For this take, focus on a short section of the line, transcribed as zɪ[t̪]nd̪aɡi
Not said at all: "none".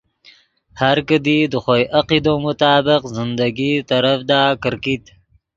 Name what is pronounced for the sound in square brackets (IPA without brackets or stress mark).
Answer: none